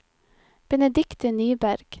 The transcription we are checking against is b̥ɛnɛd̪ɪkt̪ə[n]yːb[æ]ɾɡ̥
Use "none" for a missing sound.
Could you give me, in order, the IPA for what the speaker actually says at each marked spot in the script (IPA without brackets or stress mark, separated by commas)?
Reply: n, æ